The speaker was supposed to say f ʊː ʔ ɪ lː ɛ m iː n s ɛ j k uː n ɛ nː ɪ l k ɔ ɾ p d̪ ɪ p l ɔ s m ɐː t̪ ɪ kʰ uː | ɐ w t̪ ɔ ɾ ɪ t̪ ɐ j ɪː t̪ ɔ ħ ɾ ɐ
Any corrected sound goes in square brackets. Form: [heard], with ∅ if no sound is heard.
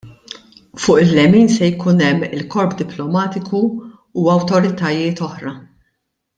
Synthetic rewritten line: f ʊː ʔ ɪ lː ɛ m iː n s ɛ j k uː n ɛ [mː] ɪ l k ɔ ɾ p d̪ ɪ p l ɔ [∅] m ɐː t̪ ɪ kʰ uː | ɐ w t̪ ɔ ɾ ɪ t̪ ɐ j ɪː t̪ ɔ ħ ɾ ɐ